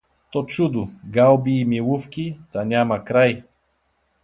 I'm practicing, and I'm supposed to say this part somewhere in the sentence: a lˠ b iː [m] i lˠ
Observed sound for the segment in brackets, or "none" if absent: m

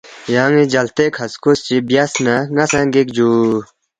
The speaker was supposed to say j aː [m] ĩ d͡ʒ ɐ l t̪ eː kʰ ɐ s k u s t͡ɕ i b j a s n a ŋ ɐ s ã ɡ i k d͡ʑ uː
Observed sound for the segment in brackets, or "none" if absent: ŋ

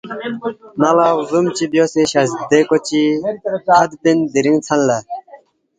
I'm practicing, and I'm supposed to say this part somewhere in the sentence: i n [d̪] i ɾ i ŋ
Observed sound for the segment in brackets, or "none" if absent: d̪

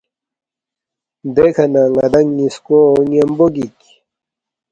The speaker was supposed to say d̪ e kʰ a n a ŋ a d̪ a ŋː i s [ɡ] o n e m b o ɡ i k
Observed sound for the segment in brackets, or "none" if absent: k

